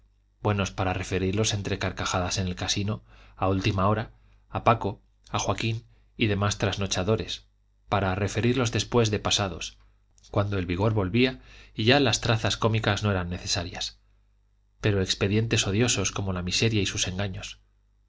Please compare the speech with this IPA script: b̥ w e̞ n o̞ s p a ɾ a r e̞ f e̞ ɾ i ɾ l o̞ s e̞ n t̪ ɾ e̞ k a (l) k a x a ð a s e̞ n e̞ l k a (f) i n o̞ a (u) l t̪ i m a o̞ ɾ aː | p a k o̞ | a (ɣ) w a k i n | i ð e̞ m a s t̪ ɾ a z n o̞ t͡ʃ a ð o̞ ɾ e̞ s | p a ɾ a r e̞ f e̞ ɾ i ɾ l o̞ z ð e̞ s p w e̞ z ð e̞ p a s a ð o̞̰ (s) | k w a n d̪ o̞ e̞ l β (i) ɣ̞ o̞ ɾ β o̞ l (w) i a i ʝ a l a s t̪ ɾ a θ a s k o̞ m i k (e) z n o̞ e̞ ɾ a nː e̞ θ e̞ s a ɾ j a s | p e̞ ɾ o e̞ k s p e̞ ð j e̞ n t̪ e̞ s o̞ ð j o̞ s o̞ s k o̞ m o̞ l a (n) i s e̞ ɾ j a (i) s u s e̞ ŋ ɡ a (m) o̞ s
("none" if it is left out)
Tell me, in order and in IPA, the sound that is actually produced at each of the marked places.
ɾ, s, u, x, s, i, β, a, m, i, ɲ

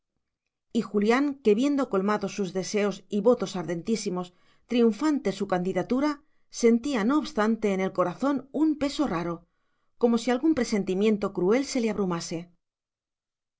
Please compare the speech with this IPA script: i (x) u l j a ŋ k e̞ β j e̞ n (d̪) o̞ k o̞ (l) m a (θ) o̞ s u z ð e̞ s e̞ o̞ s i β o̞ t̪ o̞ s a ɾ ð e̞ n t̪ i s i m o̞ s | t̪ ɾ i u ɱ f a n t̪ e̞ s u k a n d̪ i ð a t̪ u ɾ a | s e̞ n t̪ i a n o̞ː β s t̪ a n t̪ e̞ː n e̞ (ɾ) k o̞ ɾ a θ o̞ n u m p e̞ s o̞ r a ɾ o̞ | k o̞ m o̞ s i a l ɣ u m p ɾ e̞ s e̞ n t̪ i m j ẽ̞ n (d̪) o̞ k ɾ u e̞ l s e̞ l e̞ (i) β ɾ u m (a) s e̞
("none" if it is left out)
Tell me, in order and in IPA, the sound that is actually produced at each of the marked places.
x, d̪, l, ð, l, t̪, a, a

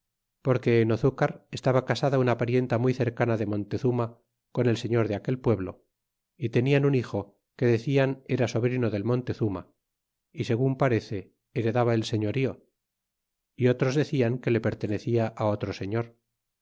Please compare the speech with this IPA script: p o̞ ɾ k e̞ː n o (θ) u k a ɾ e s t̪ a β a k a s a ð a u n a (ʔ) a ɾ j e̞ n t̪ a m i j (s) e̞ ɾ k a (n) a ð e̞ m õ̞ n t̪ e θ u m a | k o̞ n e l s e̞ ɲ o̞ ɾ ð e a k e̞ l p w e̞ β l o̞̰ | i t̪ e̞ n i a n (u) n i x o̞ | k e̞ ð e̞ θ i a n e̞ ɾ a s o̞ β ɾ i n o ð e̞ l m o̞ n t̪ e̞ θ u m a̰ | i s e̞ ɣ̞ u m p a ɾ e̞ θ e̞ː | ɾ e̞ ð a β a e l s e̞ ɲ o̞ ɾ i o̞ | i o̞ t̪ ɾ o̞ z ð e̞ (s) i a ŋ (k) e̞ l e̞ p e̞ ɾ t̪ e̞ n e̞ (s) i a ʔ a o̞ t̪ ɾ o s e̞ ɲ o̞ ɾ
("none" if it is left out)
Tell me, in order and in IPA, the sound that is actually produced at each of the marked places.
θ, p, θ, n, u, θ, k, θ

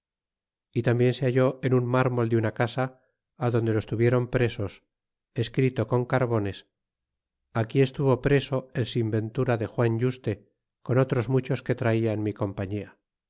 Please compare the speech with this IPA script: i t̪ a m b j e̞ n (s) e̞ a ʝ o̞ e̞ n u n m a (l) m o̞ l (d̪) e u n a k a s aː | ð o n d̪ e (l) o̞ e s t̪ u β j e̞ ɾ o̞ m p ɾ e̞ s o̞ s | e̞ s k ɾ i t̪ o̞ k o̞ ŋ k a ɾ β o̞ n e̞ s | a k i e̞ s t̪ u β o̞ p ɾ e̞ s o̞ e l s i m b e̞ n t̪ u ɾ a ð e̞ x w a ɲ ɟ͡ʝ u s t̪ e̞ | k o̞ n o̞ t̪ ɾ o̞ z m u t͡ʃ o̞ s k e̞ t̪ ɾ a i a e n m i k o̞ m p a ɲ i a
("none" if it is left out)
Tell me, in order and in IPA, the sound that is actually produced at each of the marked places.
s, ɾ, d̪, l

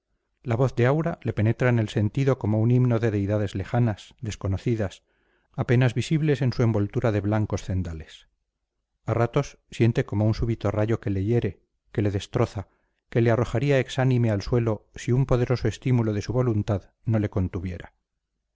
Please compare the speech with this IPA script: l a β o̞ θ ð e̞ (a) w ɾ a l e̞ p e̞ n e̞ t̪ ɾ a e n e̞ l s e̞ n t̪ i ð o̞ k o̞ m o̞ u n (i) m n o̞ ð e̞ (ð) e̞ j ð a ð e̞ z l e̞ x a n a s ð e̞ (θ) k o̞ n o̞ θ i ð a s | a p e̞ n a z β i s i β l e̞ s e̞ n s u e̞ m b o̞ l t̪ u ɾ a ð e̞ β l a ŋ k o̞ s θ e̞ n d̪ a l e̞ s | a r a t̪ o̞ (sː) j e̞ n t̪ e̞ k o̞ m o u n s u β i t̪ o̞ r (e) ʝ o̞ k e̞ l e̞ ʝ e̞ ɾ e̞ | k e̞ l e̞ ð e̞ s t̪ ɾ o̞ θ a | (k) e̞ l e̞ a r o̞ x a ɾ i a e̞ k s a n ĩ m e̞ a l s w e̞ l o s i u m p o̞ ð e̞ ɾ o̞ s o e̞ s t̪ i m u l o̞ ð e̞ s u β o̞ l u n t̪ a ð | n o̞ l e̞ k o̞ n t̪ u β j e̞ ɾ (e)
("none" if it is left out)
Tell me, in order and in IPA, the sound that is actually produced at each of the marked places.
a, i, ð, s, sː, a, k, a

